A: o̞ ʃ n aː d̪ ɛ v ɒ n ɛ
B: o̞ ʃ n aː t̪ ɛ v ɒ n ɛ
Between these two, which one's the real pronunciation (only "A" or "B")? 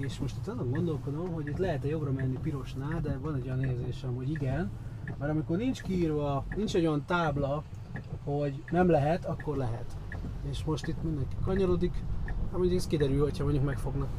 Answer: A